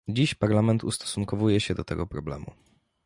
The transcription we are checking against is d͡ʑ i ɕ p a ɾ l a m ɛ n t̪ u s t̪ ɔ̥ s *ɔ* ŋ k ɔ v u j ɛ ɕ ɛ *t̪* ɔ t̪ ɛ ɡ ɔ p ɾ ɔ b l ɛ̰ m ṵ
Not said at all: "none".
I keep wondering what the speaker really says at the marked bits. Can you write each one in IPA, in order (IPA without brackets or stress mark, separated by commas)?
u, d̪